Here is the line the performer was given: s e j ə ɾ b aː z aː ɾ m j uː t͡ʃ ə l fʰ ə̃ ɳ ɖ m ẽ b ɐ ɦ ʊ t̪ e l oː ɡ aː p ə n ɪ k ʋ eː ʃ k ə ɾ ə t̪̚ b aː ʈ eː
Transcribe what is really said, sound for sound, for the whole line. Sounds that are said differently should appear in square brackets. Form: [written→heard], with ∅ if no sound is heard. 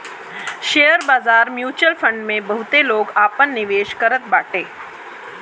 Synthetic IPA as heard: [s→ʃ] e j ə ɾ b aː z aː ɾ m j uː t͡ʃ ə l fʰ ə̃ ɳ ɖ m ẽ b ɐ ɦ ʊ t̪ e l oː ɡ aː p ə [n→nː] ɪ [k→∅] ʋ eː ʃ k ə ɾ ə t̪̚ b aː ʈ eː